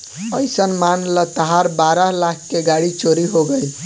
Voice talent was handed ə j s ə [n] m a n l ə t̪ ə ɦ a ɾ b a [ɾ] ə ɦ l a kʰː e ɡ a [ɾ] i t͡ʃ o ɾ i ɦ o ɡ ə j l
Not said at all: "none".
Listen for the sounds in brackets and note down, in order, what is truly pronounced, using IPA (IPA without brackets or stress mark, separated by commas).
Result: n, ɾ, ɽ